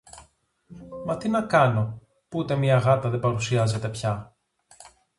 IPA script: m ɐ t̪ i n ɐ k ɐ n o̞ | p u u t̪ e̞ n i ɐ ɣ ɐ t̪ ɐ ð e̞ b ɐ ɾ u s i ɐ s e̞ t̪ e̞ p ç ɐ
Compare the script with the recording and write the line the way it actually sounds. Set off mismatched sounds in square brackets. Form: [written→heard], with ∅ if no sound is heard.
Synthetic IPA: m ɐ t̪ i n ɐ k ɐ n o̞ | p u u t̪ e̞ [n→m] i ɐ ɣ ɐ t̪ ɐ ð e̞ b ɐ ɾ u s i ɐ [s→z] e̞ t̪ e̞ p ç ɐ

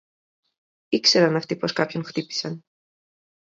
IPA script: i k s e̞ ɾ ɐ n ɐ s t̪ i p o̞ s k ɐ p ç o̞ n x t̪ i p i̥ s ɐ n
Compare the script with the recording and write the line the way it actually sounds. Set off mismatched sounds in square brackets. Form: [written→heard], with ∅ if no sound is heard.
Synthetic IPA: i k s e̞ ɾ ɐ n ɐ [s→f] t̪ i p o̞ s k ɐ p ç o̞ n x t̪ i p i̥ s ɐ n

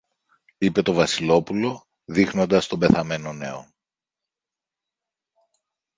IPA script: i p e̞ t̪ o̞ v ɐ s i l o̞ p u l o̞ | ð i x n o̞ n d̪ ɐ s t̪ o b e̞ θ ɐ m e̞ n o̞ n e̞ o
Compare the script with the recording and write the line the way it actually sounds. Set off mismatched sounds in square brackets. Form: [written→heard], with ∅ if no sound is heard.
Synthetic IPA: i p e̞ t̪ o̞ v ɐ s i l o̞ p u l o̞ | ð i x n o̞ n d̪ ɐ s t̪ o b e̞ θ ɐ m e̞ n o̞ n e̞ o

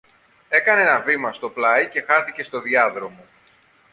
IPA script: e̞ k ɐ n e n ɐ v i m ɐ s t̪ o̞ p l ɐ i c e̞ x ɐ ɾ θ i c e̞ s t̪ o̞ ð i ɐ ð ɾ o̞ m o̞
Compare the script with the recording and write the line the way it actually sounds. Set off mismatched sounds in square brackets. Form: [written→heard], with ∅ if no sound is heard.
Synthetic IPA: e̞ k ɐ n e n ɐ v i m ɐ s t̪ o̞ p l ɐ i c e̞ x ɐ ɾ θ i c e̞ s t̪ o̞ ð i ɐ ð ɾ o̞ m o̞

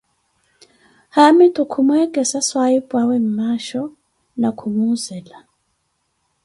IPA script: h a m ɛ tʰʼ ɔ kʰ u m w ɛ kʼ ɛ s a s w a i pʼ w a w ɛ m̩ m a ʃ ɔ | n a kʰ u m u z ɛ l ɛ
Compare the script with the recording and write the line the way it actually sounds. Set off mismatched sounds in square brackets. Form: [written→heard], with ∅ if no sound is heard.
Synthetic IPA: h a m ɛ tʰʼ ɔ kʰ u m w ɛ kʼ ɛ s a s w a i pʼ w a w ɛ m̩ m a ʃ ɔ | n a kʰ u m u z ɛ l [ɛ→a]

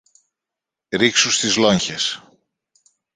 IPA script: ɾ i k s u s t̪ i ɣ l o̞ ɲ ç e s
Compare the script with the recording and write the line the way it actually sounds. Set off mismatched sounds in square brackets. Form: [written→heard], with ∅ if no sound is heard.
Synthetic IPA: ɾ i k s u s t̪ i [ɣ→z] l o̞ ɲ ç e s

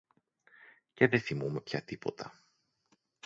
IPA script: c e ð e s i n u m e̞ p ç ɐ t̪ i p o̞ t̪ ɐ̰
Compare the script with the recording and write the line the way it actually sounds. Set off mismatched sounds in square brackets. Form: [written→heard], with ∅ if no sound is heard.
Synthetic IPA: c e ð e [s→θ] i [n→m] u m e̞ p ç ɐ t̪ i p o̞ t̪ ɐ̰

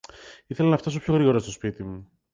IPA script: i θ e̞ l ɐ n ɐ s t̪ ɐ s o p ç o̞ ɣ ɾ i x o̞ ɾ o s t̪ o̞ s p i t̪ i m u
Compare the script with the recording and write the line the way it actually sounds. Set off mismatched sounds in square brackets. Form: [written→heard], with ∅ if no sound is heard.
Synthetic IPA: i θ e̞ l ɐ n ɐ [s→f] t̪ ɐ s o p ç o̞ ɣ ɾ i [x→ɣ] o̞ ɾ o s t̪ o̞ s p i t̪ i m u

